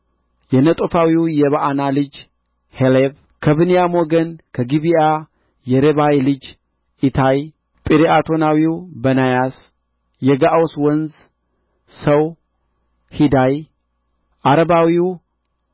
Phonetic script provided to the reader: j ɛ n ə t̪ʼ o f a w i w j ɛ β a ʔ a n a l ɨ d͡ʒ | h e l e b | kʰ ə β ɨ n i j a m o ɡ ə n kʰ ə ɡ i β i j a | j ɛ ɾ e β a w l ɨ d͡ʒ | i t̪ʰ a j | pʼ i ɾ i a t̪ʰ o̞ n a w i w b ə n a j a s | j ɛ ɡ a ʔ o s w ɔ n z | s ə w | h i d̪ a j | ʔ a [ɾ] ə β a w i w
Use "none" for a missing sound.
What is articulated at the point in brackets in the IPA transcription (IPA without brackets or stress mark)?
ɾ